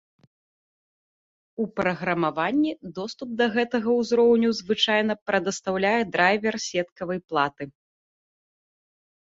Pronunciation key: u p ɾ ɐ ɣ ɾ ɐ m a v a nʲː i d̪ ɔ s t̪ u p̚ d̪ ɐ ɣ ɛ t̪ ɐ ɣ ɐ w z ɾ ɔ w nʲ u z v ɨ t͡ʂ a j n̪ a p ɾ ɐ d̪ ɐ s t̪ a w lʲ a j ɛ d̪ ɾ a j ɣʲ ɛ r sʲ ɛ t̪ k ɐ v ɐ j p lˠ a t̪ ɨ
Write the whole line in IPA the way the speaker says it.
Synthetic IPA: u p ɾ ɐ ɣ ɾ ɐ m a v a nʲː i d̪ ɔ s t̪ u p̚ d̪ ɐ ɣ ɛ t̪ ɐ ɣ ɐ w z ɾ ɔ w nʲ u z v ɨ t͡ʂ a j n̪ ɐ p ɾ ɐ d̪ ɐ s t̪ a w lʲ a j ɛ d̪ ɾ a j vʲ ɛ r sʲ ɛ t̪ k ɐ v ɐ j p lˠ a t̪ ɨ